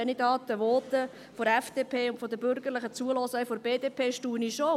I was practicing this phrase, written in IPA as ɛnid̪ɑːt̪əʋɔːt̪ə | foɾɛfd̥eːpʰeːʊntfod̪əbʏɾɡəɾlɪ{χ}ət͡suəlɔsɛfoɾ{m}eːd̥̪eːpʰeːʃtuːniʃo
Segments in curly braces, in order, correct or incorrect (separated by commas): correct, incorrect